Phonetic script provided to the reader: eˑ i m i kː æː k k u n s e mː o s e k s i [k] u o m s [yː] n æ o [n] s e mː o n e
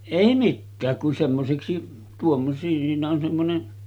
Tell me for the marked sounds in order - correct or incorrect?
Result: incorrect, incorrect, correct

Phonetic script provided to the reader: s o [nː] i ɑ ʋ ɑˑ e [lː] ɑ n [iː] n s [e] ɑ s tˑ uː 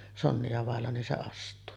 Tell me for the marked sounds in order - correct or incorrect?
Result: correct, correct, incorrect, correct

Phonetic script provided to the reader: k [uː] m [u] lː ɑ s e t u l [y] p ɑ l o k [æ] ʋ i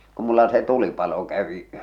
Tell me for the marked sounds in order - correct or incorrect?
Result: incorrect, correct, incorrect, correct

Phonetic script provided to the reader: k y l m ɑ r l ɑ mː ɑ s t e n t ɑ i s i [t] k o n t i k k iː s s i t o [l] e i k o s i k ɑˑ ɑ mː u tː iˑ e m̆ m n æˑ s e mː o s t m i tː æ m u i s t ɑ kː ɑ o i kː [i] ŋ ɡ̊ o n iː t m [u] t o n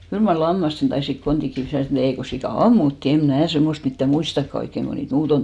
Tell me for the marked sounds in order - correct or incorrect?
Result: incorrect, correct, incorrect, incorrect

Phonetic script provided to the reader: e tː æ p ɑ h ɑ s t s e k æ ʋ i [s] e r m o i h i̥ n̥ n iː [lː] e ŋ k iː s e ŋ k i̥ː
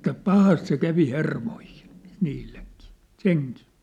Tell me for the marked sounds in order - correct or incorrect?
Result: incorrect, correct

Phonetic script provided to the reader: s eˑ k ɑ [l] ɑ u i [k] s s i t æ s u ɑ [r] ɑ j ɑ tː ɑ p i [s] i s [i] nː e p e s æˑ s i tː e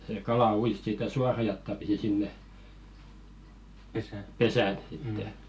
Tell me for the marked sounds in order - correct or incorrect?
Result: correct, incorrect, correct, correct, correct

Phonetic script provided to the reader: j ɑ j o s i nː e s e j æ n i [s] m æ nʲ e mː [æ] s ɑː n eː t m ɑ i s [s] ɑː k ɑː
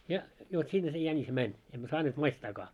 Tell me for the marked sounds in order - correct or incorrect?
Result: correct, correct, incorrect

